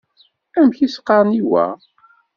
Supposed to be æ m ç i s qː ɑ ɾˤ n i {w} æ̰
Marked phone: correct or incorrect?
correct